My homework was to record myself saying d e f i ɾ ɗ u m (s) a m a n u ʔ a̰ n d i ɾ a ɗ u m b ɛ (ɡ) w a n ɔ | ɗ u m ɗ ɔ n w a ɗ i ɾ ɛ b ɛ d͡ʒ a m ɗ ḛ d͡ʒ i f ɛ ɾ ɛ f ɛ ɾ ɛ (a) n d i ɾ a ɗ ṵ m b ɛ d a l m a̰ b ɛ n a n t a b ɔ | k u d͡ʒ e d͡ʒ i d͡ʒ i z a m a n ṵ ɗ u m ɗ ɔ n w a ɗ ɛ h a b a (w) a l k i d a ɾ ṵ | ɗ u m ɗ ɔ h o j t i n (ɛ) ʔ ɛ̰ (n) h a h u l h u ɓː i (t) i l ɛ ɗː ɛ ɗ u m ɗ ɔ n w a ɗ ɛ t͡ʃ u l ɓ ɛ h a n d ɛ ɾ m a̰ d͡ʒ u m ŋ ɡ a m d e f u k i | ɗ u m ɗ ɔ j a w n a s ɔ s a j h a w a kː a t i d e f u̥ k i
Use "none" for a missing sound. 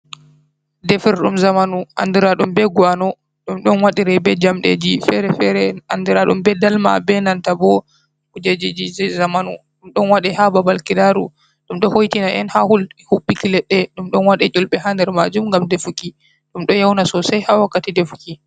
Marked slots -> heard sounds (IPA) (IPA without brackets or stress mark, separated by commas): z, ɡ, a, b, a, n, k